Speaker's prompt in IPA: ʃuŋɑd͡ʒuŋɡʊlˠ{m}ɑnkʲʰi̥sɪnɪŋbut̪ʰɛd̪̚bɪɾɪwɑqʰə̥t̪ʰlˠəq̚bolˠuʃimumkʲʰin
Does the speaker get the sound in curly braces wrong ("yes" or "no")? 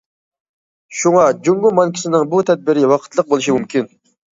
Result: no